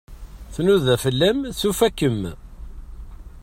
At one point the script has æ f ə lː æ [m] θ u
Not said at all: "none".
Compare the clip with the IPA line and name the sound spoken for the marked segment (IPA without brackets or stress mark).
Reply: m